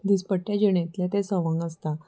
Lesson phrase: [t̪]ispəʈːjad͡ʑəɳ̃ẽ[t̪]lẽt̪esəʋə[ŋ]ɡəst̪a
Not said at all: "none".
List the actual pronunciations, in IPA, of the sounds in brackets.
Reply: d̪, t̪, ŋ

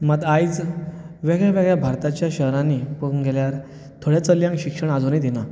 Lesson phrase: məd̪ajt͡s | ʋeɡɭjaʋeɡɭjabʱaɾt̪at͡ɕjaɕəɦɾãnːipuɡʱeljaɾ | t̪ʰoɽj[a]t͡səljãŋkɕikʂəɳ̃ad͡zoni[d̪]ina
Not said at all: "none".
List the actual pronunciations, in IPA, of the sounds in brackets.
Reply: a, d̪

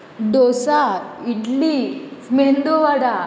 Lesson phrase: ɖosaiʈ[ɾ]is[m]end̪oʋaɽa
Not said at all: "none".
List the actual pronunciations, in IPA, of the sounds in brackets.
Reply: l, m

